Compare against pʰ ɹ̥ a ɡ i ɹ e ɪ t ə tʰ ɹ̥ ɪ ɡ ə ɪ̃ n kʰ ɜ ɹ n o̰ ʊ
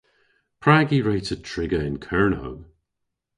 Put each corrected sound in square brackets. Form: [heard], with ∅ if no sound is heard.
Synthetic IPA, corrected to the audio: pʰ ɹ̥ a ɡ i ɹ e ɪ t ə tʰ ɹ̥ ɪ ɡ ə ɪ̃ n kʰ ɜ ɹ n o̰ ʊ

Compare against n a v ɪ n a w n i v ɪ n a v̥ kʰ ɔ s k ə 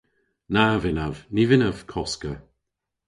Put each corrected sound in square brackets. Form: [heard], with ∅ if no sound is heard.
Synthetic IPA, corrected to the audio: n a v ɪ n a [v] n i v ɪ n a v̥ kʰ ɔ s k ə

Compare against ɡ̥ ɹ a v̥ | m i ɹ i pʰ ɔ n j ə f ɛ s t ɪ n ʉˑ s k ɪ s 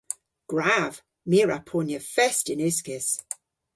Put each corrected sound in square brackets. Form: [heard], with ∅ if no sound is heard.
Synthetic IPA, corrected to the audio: ɡ̥ ɹ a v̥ | m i ɹ [a] pʰ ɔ n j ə f ɛ s t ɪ n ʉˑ s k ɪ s

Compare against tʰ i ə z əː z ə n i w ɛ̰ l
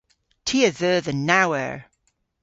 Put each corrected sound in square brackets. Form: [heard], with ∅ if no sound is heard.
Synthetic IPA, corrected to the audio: tʰ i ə [ð] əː [ð] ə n [a] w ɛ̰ [ɹ]

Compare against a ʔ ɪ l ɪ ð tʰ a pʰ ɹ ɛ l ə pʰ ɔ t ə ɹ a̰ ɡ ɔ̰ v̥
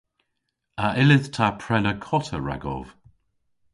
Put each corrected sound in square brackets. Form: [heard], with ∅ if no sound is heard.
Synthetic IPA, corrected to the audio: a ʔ ɪ l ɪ ð tʰ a pʰ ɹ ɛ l ə [kʰ] ɔ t ə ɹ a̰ ɡ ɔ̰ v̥

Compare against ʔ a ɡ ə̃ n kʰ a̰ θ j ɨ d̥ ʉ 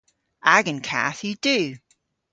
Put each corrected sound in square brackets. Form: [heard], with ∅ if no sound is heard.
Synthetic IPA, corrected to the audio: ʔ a ɡ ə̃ n kʰ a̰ θ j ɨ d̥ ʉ

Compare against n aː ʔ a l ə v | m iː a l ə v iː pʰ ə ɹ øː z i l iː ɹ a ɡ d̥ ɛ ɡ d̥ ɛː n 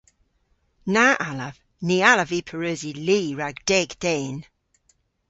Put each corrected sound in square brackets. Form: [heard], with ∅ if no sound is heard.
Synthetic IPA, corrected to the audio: n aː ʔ a l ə v | [n] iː a l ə v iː pʰ ə ɹ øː z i l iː ɹ a ɡ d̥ ɛ ɡ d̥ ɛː n

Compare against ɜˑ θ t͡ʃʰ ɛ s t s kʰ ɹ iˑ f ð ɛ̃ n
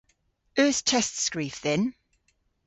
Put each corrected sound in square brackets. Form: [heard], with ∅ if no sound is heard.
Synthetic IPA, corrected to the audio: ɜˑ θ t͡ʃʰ ɛ s t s [k] ɹ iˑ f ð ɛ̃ n

